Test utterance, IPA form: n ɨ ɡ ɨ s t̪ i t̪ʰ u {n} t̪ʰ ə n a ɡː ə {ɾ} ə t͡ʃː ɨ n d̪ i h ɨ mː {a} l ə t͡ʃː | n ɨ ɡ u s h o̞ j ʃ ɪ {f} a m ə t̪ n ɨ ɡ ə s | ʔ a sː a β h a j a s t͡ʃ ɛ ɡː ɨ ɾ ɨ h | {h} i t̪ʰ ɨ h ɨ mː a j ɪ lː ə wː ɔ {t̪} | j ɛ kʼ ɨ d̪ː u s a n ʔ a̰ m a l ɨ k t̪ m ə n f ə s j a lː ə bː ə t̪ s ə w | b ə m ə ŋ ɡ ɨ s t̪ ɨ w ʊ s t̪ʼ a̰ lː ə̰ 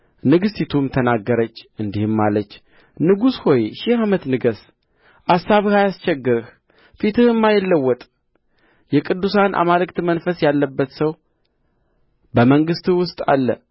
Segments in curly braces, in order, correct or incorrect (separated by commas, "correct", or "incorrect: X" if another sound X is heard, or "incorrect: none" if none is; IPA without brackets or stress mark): incorrect: m, correct, correct, incorrect: h, incorrect: f, incorrect: t̪ʼ